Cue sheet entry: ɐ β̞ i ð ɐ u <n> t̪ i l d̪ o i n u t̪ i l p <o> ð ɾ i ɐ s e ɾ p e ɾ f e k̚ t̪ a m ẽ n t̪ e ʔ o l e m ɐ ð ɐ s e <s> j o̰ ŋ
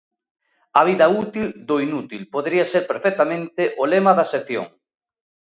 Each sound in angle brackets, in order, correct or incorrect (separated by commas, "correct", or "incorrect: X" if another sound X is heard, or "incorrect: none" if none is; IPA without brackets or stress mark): incorrect: none, correct, incorrect: θ